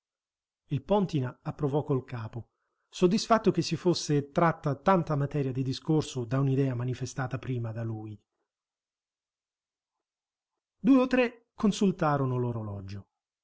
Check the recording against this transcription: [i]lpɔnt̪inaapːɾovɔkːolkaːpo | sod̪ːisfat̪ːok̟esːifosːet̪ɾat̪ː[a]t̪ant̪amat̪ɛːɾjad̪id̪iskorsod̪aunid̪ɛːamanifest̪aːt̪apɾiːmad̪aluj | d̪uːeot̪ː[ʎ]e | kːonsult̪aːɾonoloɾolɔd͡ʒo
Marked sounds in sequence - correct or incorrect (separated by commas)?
correct, correct, incorrect